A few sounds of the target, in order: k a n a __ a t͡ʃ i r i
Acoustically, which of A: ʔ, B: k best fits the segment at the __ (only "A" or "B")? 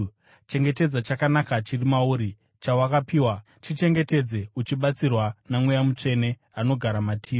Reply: B